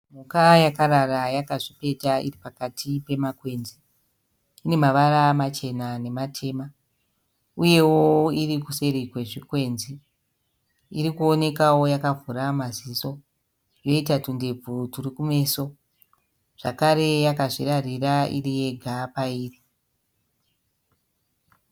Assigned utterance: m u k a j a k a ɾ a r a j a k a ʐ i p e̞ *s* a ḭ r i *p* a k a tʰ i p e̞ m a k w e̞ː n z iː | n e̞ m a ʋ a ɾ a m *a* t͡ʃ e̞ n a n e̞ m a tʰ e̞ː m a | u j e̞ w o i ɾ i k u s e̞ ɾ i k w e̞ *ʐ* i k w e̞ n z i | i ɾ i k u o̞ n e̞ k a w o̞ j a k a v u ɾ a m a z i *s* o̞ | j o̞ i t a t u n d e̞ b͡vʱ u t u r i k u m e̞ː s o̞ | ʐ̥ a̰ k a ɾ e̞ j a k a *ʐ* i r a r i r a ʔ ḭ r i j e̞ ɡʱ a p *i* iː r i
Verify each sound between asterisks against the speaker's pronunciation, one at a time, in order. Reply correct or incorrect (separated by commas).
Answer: incorrect, correct, correct, correct, correct, correct, incorrect